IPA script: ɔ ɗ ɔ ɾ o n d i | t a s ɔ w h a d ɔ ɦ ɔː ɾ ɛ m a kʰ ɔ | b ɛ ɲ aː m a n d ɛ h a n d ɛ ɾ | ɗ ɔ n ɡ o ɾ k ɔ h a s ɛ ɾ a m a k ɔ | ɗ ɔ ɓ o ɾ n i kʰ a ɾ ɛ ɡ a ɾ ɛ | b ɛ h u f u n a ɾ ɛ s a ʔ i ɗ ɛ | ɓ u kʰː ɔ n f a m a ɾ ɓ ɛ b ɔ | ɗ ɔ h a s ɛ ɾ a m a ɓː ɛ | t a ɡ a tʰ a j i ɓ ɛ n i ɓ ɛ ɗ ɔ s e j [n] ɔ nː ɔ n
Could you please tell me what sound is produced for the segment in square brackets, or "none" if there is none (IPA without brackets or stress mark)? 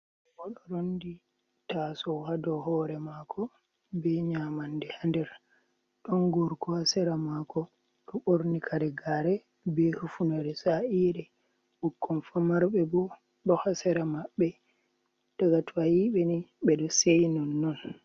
n